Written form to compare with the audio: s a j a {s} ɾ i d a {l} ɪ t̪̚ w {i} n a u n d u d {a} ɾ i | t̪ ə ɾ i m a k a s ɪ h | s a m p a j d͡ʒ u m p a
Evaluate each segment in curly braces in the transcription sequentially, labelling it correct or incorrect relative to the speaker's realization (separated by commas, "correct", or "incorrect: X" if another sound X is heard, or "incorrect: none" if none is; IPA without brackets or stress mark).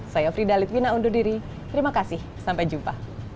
incorrect: f, correct, correct, incorrect: i